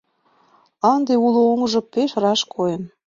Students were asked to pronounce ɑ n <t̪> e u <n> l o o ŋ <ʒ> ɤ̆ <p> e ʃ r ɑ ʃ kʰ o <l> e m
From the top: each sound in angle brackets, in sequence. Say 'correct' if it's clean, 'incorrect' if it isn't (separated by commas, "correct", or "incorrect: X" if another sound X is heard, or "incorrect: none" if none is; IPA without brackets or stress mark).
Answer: incorrect: d̪, incorrect: none, correct, correct, incorrect: none